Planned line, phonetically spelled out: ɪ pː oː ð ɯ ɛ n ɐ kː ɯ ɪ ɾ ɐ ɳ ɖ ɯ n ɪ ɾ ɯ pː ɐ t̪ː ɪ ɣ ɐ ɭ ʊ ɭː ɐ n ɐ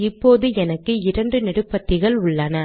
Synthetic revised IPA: ɪ pː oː ð ɯ ɛ n ɐ kː ɯ ɪ ɾ ɐ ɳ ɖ ɯ n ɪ ɽ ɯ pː ɐ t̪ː ɪ ɣ ɐ ɭ ʊ ɭː ɐ n ɐ